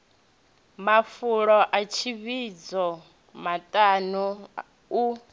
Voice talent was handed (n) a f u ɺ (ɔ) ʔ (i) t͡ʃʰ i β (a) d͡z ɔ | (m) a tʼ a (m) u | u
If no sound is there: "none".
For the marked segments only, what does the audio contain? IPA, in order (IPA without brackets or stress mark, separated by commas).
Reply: m, ɔ, a, i, m, n